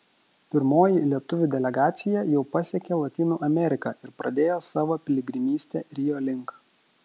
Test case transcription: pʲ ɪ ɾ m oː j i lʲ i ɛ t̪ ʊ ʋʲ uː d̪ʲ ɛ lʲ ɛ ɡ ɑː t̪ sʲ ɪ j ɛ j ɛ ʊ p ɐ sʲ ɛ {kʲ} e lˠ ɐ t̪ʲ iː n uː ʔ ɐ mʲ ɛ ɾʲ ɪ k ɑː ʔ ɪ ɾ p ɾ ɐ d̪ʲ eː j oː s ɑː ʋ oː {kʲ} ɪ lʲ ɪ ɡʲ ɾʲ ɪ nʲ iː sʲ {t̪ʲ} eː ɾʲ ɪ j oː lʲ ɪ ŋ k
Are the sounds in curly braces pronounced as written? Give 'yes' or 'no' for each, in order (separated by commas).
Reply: yes, no, yes